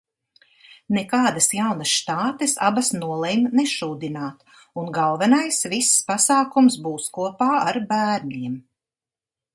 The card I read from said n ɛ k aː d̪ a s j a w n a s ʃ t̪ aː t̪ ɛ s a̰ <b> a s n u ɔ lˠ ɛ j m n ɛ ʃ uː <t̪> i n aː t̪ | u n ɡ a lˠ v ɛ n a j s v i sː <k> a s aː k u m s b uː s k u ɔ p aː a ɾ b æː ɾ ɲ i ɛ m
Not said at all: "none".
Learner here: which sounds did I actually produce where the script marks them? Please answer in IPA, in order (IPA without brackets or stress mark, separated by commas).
b, d̪, p